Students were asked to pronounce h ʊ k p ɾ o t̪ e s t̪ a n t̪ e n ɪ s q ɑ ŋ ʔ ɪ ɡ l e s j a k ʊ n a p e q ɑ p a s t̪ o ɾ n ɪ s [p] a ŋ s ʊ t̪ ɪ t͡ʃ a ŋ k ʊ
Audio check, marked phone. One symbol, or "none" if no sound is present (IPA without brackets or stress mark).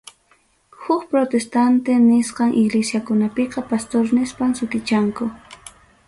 p